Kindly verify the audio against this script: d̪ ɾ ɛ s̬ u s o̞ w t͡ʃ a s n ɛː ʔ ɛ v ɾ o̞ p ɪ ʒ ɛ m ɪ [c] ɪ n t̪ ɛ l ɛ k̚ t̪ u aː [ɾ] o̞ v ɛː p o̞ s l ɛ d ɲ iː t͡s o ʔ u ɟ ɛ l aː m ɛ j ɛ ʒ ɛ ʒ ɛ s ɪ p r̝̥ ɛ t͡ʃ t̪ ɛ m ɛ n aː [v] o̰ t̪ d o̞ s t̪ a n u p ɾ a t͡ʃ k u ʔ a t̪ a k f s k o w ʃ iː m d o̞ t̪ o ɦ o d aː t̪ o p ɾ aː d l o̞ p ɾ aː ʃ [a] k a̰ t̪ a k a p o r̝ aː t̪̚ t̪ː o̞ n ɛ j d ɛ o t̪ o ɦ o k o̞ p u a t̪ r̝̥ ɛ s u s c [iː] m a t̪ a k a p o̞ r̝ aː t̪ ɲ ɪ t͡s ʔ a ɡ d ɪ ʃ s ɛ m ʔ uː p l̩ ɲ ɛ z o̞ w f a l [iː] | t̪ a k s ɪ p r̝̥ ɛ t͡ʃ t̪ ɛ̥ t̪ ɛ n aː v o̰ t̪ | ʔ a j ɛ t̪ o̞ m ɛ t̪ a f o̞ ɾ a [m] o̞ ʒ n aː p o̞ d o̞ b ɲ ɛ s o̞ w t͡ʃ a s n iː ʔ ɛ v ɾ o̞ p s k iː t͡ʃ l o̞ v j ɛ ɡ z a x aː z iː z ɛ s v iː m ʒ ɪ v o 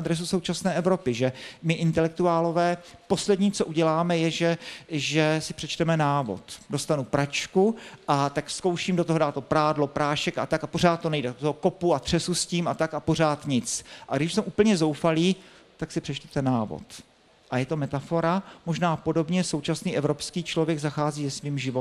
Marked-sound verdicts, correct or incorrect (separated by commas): incorrect, incorrect, correct, incorrect, correct, correct, correct